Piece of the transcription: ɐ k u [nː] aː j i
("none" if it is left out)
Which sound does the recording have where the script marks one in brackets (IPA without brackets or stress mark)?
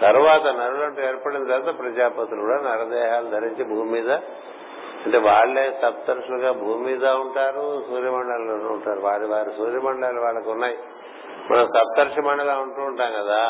nː